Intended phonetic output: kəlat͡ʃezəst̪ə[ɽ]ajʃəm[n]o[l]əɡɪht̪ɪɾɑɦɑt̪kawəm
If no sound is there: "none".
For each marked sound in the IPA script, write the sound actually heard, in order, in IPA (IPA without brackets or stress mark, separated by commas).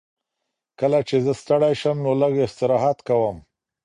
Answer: ɽ, n, l